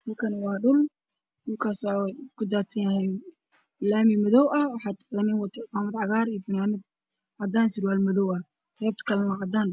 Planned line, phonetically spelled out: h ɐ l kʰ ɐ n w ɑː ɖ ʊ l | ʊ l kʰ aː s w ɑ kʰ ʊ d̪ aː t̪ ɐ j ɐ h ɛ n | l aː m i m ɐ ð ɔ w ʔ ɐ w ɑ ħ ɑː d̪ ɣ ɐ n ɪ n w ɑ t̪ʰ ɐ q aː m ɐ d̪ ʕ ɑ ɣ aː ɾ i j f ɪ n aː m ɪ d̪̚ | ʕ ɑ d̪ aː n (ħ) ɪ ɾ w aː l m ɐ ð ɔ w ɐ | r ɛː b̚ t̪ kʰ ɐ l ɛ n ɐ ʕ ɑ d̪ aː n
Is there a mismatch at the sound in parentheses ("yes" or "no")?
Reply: yes